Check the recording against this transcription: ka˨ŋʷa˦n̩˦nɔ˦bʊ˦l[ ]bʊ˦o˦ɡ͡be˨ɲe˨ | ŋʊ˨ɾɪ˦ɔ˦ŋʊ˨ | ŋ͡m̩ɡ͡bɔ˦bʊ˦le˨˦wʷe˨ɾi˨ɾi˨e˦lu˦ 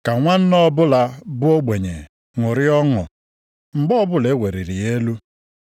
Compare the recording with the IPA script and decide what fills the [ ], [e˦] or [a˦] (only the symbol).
a˦